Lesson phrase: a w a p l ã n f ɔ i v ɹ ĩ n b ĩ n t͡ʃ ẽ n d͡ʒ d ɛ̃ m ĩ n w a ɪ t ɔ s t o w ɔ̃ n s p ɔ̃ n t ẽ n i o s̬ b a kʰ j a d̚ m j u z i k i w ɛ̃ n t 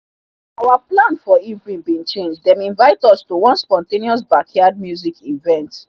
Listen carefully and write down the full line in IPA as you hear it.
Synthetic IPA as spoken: a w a p l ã n f ɔ i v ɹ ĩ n b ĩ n t͡ʃ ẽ n d͡ʒ d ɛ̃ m ĩ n v a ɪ t ɔ s t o w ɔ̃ n s p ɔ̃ n t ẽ n i ɔ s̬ b a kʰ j a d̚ m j u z i k i v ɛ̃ n t